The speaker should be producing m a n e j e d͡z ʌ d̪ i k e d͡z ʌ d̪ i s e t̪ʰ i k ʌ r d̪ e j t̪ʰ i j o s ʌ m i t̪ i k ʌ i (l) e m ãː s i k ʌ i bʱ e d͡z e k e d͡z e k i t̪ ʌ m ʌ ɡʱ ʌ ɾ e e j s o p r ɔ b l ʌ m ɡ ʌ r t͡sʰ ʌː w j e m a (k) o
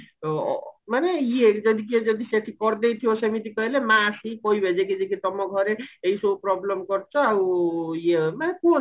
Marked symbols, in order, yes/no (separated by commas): yes, yes